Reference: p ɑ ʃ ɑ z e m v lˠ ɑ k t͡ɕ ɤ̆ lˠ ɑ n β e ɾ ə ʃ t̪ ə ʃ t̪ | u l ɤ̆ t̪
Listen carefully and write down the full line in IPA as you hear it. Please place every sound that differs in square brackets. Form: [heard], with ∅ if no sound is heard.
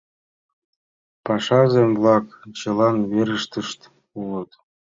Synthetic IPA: p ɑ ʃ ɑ z e m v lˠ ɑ k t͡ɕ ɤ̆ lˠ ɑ n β e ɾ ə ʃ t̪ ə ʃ t̪ | u l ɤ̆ t̪